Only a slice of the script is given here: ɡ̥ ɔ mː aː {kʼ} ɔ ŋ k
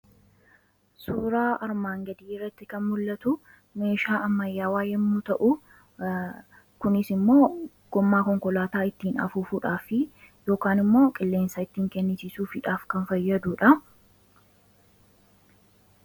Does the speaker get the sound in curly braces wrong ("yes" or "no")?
yes